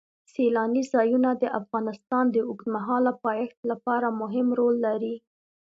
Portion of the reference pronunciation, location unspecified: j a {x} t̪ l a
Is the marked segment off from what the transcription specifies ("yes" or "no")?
no